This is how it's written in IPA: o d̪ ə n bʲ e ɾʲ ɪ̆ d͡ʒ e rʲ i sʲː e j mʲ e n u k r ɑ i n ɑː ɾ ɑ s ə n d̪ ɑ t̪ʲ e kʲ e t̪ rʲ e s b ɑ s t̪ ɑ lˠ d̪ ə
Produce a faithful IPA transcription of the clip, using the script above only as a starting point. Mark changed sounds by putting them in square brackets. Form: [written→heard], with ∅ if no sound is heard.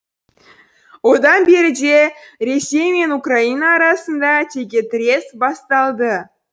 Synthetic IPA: o d̪ [ə→ɑ] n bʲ e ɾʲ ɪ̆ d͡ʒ e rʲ [i→e] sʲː e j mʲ e n u k r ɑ i n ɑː ɾ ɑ s ə n d̪ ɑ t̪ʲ e [kʲ→ɡʲ] e t̪ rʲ e s b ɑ s t̪ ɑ lˠ d̪ ə